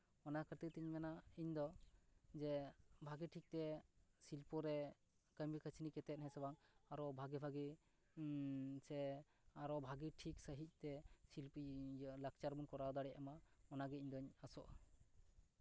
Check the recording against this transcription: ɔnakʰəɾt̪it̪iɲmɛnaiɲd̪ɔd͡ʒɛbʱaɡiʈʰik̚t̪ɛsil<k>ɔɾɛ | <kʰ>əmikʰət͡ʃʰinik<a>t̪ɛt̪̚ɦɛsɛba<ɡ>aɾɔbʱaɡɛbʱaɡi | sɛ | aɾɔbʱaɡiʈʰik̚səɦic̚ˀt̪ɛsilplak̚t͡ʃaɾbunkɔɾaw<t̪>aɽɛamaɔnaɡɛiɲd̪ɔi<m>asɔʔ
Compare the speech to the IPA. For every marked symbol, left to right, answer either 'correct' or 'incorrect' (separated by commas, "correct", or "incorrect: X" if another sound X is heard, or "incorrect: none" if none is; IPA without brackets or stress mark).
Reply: incorrect: p, incorrect: k, incorrect: ɛ, incorrect: ŋ, incorrect: d̪, incorrect: ɲ